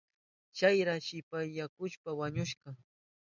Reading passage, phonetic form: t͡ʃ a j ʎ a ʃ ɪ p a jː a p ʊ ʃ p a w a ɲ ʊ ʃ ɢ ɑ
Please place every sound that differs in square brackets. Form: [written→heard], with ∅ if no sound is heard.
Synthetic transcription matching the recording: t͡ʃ a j [ʎ→ɾ] a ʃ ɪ p a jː a [p→k] ʊ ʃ p a w a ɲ ʊ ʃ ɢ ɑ